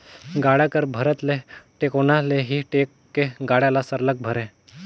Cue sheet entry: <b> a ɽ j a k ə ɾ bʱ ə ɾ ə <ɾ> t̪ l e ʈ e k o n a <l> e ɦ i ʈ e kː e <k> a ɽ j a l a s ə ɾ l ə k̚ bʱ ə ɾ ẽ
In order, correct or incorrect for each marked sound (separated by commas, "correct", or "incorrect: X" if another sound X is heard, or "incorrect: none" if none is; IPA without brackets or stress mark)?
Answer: incorrect: ɡ, incorrect: none, correct, incorrect: ɡ